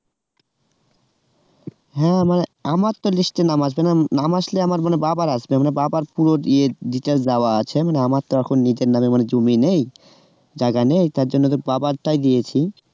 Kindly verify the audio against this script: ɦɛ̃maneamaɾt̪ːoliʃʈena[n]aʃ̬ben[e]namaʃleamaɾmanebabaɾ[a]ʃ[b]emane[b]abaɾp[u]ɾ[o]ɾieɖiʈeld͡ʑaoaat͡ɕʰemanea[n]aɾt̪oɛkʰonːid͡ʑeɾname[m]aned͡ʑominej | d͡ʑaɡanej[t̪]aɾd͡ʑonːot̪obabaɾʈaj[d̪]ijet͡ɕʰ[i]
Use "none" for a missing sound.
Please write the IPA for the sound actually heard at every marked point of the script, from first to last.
m, a, a, b, b, u, o, m, m, t̪, d̪, i

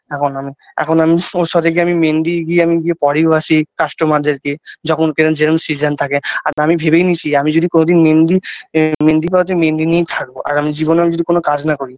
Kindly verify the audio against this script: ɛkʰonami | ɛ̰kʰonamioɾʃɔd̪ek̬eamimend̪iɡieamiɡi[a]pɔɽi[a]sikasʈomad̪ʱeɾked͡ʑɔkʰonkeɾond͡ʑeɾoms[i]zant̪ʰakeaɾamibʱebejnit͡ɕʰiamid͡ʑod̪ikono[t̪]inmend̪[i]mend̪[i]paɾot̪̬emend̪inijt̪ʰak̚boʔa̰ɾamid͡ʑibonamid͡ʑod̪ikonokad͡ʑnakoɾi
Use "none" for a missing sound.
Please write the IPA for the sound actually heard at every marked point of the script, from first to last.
e, a, i, d̪, i, i

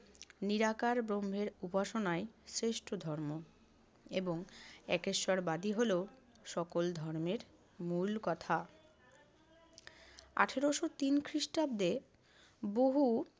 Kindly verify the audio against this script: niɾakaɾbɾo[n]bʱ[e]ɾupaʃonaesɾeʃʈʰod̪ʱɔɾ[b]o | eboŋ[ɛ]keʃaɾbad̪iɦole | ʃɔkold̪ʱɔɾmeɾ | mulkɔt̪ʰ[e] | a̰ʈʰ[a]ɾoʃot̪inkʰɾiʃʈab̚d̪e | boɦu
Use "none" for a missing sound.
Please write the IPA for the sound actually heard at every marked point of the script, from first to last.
m, e, m, ɛ, a, e

